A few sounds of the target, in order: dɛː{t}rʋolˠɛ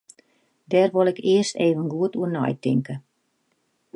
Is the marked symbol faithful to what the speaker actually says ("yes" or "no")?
no